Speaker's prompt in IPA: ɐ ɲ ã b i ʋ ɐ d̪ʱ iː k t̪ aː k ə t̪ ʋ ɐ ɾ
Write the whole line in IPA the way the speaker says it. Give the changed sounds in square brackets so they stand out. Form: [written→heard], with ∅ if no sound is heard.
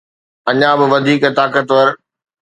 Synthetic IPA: ɐ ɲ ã b [i→ɪ] ʋ ɐ d̪ʱ iː k t̪ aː k ə t̪ ʋ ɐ ɾ